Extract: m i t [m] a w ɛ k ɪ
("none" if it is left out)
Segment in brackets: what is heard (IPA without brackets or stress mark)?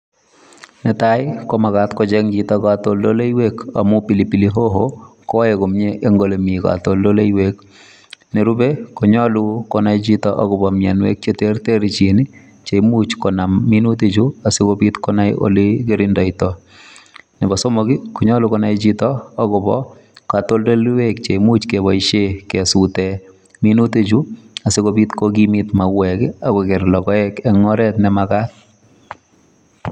m